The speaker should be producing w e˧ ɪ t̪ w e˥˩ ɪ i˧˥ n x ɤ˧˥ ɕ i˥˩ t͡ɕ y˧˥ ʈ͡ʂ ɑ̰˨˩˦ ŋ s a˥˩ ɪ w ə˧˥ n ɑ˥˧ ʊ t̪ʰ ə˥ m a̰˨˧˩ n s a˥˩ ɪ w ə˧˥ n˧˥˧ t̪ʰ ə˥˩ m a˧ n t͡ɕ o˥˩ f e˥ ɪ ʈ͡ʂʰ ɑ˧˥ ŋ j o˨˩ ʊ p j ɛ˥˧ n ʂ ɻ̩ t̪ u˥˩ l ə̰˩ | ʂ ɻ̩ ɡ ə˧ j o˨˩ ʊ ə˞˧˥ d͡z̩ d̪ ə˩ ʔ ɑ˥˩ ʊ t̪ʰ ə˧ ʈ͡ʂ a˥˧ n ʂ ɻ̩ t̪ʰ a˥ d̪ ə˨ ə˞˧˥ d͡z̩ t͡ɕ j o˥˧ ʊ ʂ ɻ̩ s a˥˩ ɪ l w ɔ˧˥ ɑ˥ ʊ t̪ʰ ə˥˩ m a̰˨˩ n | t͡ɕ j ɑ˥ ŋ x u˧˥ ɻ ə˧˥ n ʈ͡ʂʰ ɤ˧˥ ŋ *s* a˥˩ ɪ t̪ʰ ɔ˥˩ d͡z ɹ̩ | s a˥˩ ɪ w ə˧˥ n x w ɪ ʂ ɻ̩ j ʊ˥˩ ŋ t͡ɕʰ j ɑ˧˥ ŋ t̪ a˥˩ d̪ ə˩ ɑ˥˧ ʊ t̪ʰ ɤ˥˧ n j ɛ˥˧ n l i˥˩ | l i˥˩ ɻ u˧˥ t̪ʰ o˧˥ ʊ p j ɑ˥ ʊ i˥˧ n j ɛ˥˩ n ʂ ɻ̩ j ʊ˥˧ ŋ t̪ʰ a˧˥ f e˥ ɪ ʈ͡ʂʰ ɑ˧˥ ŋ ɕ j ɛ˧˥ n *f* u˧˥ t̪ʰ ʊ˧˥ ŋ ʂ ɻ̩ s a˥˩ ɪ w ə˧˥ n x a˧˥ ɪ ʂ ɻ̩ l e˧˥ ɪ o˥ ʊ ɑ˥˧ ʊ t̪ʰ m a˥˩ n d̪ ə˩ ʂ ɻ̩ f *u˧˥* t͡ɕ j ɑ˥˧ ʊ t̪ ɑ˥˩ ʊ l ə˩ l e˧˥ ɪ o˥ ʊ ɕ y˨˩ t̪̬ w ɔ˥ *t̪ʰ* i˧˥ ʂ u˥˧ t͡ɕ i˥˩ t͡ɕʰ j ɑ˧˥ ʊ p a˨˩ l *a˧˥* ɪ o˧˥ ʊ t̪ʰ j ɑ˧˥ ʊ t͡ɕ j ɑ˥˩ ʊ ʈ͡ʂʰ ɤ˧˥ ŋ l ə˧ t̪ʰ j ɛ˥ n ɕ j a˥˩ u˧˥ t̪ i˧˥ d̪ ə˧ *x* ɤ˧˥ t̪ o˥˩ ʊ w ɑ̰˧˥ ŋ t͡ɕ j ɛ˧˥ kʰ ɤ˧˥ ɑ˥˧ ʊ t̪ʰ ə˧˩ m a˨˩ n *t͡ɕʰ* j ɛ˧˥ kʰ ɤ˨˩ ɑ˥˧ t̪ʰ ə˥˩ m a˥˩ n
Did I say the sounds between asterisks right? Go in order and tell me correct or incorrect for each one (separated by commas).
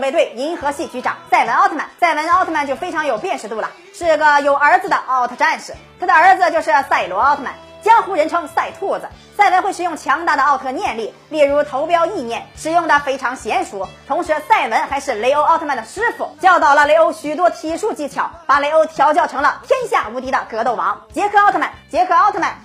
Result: correct, incorrect, incorrect, correct, incorrect, incorrect, incorrect